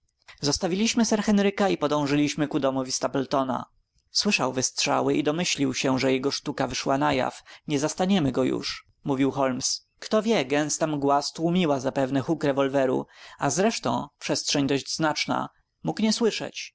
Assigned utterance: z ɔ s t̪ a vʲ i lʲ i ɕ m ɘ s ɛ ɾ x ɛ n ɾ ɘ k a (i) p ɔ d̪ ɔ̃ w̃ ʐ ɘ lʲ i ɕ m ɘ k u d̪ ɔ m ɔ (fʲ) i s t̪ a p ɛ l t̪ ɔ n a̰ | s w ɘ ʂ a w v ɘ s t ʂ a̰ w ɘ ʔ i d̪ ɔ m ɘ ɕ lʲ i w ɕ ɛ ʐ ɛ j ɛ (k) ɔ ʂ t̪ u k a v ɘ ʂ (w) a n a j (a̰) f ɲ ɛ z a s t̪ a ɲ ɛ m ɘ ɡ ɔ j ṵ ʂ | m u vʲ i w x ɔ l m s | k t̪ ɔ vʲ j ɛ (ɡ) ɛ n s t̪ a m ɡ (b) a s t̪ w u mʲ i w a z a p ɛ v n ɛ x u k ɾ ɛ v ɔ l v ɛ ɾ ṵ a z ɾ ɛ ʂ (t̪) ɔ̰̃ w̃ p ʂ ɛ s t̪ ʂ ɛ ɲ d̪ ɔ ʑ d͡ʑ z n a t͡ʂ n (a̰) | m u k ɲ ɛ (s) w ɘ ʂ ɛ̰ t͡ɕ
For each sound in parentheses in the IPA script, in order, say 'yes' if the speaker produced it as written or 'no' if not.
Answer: yes, no, no, yes, yes, yes, no, yes, yes, yes

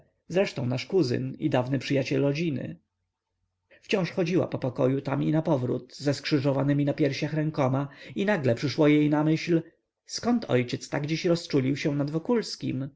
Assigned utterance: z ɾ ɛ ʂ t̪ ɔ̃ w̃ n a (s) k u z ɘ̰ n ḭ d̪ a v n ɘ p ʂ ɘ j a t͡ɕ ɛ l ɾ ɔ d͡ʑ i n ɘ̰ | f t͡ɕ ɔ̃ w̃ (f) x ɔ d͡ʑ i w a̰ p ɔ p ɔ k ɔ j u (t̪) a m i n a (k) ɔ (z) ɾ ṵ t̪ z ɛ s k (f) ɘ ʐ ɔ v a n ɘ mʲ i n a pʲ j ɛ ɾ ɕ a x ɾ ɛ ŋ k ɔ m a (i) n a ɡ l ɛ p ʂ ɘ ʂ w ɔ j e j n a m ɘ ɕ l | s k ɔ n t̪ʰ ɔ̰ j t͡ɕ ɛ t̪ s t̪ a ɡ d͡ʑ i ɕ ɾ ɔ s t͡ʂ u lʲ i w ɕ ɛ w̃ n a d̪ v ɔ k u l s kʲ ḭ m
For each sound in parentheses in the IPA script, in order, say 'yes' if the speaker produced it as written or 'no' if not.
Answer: no, no, yes, no, no, no, yes

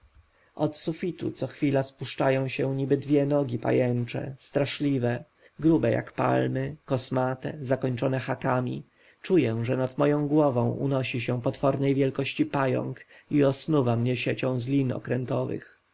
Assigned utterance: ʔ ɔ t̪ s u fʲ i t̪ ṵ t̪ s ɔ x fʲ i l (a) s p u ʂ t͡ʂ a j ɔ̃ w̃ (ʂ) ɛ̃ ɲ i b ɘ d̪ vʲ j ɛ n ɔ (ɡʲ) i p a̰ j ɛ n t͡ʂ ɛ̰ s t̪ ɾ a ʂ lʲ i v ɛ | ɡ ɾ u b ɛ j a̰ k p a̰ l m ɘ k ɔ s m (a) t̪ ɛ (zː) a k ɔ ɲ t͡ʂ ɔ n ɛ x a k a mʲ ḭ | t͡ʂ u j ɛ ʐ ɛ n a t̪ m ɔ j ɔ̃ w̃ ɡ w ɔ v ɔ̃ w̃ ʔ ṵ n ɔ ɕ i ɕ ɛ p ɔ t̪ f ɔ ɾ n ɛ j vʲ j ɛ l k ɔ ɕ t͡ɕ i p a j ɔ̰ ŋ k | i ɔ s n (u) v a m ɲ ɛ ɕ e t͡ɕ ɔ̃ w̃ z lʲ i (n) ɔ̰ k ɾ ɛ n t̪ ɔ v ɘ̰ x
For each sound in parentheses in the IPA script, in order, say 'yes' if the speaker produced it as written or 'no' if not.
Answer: yes, no, yes, yes, no, yes, yes

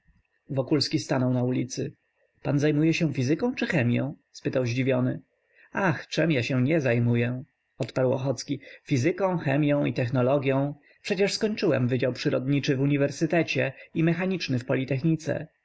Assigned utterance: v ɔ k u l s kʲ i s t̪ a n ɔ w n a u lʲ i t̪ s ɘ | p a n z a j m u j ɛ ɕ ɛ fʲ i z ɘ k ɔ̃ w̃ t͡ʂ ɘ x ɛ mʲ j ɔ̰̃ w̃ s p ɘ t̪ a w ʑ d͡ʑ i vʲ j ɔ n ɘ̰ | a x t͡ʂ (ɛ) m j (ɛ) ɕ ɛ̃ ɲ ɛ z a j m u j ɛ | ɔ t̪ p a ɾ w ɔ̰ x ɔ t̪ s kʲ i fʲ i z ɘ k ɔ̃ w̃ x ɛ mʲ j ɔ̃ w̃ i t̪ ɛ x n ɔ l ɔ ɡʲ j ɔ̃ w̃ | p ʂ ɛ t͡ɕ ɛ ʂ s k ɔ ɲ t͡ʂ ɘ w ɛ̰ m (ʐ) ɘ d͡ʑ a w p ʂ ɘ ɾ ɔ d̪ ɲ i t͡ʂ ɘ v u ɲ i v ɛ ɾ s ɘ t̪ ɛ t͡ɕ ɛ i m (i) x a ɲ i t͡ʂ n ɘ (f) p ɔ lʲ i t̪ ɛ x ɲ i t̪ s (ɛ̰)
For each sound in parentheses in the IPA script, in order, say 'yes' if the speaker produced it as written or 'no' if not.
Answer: yes, no, no, no, yes, yes

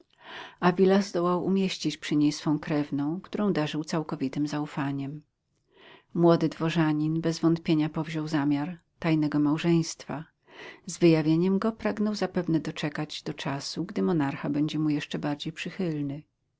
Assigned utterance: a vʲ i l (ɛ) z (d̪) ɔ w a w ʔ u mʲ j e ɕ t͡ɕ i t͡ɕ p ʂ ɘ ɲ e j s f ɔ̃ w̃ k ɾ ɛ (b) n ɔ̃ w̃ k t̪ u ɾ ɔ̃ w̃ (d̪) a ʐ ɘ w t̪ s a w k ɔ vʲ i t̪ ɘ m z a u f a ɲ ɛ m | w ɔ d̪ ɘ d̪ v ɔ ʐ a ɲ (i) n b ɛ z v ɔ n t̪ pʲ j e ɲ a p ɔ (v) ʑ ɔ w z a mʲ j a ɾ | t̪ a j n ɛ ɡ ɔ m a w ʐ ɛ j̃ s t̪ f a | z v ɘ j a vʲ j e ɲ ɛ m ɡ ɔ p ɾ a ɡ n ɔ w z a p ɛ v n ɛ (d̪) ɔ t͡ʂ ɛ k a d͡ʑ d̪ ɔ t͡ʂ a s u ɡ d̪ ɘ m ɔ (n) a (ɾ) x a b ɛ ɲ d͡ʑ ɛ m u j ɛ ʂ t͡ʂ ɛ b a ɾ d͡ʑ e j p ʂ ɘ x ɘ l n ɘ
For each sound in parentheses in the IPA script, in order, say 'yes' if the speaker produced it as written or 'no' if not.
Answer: no, yes, no, yes, yes, yes, yes, yes, yes

